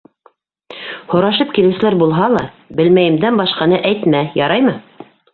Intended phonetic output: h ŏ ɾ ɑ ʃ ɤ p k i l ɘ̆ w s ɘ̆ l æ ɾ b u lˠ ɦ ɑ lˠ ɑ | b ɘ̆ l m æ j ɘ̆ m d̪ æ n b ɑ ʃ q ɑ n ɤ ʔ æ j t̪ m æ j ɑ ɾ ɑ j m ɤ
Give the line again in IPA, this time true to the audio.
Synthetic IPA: h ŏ ɾ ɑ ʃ ɤ p k i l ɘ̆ w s ɘ̆ l æ ɾ b u lˠ ɦ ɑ lˠ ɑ | b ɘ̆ l m æ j ɘ̆ m d̪ æ n b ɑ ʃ q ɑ n ɤ ʔ æ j t̪ m æ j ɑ ɾ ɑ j m ɤ

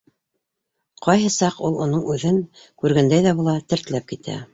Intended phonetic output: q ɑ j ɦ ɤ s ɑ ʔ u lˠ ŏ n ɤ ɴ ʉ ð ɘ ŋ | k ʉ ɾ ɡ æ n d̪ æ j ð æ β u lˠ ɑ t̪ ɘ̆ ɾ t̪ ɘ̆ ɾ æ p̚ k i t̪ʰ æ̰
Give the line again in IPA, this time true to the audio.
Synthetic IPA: q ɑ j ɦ ɤ s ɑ q u lˠ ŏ n ɤ ɴ ʉ ð ɘ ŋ | k ʉ ɾ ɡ æ n d̪ æ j ð æ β u lˠ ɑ t̪ ɘ̆ ɾ t̪ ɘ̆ l æ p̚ k i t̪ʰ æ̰

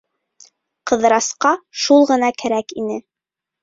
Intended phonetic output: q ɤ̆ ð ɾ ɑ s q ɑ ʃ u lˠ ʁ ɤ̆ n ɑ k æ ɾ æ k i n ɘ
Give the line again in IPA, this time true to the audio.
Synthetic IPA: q ɤ̆ ð ɾ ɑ s q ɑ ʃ u lˠ ʁ ɤ̆ n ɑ k æ ɾ æ k i n ɘ

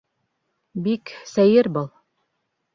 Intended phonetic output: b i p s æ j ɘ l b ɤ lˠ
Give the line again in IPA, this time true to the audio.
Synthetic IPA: b i k s æ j ɘ ɾ b ɤ lˠ

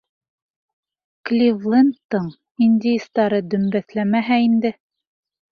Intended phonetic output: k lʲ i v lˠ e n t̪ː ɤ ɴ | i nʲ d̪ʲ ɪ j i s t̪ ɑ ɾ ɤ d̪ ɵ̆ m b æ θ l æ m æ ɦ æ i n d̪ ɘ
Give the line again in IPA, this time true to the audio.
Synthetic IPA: k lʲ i v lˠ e n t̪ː ɤ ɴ | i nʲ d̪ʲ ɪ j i s t̪ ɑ ɾ ɤ d̪ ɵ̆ m b æ θ l æ m æ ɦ æ i n d̪ ɘ

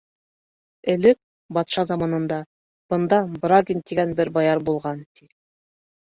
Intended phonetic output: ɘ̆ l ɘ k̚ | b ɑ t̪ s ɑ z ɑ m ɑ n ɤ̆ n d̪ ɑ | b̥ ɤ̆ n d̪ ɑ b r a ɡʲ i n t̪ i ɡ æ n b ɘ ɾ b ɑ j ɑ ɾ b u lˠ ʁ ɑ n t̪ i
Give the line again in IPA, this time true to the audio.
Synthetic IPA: ɘ̆ l ɘ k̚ | b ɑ t̪ ʃ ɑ z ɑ m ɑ n ɤ̆ n d̪ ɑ | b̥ ɤ̆ n d̪ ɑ b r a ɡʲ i n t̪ i ɡ æ n b ɘ ɾ b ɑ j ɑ ɾ b u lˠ ʁ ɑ n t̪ i

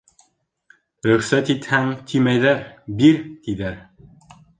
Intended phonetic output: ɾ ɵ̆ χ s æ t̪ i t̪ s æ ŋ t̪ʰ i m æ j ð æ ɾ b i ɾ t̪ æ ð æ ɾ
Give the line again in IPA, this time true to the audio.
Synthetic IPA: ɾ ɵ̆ χ s æ t̪ i t̪ h æ ŋ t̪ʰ i m æ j ð æ ɾ b i ɾ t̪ i ð æ ɾ

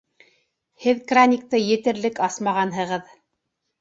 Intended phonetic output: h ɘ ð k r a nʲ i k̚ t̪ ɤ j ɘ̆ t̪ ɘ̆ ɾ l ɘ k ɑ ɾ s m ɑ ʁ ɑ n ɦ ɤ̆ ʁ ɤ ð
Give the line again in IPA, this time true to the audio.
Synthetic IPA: h ɘ ð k r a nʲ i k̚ t̪ ɤ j ɘ̆ t̪ ɘ̆ ɾ l ɘ k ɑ s m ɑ ʁ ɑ n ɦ ɤ̆ ʁ ɤ ð

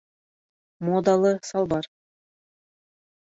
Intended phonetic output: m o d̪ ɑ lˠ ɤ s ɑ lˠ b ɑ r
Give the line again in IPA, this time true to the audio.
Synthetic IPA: m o d̪ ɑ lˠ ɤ s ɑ lˠ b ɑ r

